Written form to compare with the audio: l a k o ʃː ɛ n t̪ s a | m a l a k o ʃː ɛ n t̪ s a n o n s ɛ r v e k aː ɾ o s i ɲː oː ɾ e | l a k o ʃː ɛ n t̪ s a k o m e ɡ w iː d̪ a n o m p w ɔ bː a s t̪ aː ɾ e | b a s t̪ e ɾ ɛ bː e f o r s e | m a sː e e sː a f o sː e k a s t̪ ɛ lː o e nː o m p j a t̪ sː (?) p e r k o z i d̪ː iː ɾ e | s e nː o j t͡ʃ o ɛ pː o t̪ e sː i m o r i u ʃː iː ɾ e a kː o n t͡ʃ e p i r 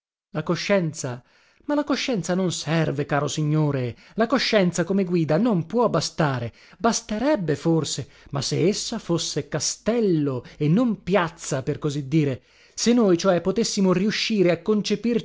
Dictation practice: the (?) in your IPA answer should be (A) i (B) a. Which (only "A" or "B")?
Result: B